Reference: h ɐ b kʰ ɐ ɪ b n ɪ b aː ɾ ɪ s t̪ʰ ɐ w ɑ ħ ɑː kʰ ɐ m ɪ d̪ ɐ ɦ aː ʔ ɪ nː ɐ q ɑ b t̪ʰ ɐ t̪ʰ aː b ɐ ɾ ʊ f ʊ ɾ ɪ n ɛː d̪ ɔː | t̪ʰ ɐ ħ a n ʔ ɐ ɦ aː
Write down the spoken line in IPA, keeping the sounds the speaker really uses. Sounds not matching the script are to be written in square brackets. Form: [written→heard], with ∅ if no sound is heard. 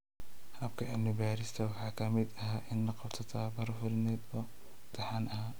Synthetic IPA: h ɐ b kʰ ɐ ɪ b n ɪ b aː ɾ ɪ s t̪ʰ ɐ w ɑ ħ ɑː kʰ ɐ m ɪ d̪ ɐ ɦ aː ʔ ɪ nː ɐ q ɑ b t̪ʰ ɐ t̪ʰ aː b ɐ ɾ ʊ f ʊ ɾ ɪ n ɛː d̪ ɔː | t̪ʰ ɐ ħ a n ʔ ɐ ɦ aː